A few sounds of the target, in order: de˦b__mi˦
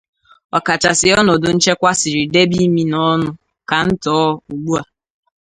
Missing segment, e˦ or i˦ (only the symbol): i˦